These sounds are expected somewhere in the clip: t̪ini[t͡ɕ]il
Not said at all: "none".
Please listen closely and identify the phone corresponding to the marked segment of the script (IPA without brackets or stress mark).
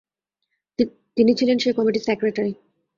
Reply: t͡ɕʰ